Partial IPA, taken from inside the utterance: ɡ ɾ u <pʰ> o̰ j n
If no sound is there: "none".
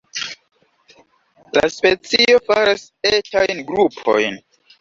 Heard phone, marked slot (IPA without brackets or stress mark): pʰ